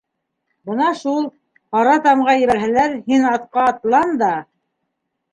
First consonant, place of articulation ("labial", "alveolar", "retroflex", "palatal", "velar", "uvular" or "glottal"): labial